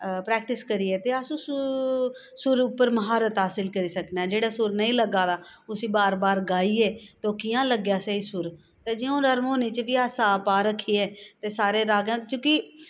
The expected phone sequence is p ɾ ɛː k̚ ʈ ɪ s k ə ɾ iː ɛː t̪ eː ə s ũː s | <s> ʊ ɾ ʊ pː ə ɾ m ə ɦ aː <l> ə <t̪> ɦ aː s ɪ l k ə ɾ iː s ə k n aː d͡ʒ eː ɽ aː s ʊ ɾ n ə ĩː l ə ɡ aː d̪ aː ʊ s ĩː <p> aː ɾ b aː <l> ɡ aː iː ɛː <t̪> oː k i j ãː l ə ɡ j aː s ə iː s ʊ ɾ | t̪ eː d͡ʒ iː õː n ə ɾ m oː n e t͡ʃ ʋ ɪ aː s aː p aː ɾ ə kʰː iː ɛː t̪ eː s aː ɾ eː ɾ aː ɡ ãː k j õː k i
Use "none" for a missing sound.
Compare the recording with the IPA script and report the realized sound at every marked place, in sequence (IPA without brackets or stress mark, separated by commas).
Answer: s, ɾ, t̪, b, ɾ, t̪